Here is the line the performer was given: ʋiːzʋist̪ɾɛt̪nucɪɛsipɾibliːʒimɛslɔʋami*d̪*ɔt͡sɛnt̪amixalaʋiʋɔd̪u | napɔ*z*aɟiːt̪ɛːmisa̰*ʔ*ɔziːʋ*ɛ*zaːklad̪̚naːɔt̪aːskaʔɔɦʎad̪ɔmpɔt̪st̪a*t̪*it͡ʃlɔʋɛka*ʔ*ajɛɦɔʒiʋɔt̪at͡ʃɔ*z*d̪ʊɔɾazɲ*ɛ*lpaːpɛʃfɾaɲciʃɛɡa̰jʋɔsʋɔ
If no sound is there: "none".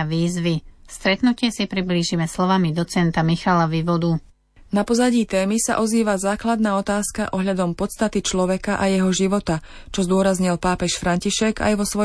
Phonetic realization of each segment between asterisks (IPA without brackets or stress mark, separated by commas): d̪, z, ʔ, a, t̪, ʔ, z, i